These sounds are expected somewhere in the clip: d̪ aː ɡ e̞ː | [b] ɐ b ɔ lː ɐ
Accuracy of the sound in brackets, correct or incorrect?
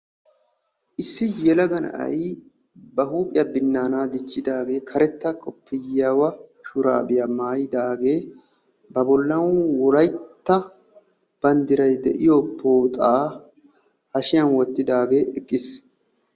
correct